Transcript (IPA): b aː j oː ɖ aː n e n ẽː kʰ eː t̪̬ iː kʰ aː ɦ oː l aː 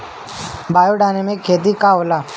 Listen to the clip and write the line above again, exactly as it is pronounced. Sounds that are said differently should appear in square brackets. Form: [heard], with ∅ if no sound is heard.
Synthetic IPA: b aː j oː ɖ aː n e [m] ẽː kʰ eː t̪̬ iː [k] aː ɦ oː l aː